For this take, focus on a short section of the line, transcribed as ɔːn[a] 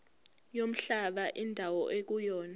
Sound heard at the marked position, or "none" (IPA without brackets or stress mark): a